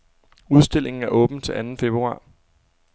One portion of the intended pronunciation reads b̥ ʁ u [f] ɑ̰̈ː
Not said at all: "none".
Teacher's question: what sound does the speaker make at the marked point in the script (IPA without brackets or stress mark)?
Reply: none